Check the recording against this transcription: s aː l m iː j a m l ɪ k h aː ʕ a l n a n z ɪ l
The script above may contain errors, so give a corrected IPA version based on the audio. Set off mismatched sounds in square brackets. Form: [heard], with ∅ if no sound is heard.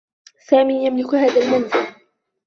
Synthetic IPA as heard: s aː [∅] m iː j a m l ɪ k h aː [ð] a l [m] a n z ɪ l